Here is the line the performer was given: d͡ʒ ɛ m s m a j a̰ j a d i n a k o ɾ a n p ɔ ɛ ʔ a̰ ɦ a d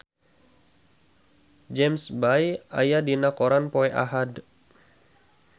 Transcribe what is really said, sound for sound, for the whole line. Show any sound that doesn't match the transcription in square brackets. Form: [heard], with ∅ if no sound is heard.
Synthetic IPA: d͡ʒ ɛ m s [b] a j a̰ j a d i n a k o ɾ a n p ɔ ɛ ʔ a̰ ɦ a d

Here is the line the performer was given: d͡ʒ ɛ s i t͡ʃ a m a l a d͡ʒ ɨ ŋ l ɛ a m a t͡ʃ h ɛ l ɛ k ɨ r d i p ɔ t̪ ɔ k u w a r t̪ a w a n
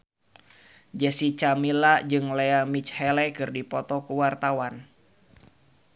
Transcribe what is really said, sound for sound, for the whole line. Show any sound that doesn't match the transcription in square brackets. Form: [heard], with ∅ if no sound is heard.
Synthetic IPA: d͡ʒ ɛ s i t͡ʃ a m [i] l a d͡ʒ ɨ ŋ l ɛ a m [i] t͡ʃ h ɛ l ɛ k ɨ r d i p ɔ t̪ ɔ k u w a r t̪ a w a n

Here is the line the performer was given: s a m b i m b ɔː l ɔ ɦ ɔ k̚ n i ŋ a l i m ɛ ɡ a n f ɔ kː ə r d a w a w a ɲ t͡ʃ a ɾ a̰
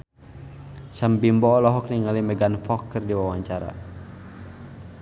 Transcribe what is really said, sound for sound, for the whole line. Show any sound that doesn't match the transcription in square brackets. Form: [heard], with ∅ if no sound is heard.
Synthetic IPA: s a m b i m b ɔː l ɔ ɦ ɔ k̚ n i ŋ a l i m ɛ ɡ a n f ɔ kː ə r d [i] w a w a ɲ t͡ʃ a ɾ a̰

